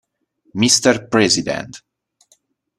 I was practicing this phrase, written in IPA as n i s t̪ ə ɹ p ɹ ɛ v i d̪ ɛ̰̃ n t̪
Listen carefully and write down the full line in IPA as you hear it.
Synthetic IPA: m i s t̪ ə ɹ p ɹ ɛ z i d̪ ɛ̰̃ n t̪